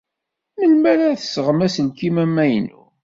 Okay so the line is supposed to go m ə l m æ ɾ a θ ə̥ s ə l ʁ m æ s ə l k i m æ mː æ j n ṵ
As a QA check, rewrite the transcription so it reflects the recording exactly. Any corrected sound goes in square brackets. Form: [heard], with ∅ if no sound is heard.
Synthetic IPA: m ə l m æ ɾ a θ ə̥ s ə [∅] ʁ m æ s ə l k i m æ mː æ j n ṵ